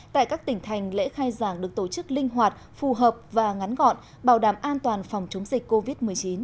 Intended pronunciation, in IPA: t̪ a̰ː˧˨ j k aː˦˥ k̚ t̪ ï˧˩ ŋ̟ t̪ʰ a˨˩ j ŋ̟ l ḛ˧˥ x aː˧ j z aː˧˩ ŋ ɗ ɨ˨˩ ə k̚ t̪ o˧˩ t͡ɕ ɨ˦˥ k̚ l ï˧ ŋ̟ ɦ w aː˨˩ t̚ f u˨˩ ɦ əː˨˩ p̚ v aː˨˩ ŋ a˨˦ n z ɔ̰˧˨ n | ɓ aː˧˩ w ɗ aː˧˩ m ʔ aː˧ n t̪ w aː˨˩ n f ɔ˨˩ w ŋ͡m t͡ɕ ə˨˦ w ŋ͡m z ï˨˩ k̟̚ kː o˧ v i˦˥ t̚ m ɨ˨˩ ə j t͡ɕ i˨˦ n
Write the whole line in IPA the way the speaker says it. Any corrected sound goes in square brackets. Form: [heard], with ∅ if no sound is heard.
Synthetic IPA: t̪ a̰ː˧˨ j k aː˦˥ k̚ t̪ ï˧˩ ŋ̟ t̪ʰ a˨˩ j ŋ̟ l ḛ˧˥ x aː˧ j z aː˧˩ ŋ ɗ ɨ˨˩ ə k̚ t̪ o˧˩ t͡ɕ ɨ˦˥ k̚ l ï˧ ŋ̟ ɦ w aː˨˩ t̚ f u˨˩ ɦ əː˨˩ p̚ v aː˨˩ ŋ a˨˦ n [ɣ] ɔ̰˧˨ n | ɓ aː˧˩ w ɗ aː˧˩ m ʔ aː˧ n t̪ w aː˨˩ n f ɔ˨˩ w ŋ͡m t͡ɕ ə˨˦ w ŋ͡m z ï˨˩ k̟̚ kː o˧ v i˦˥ t̚ m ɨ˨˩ ə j t͡ɕ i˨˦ n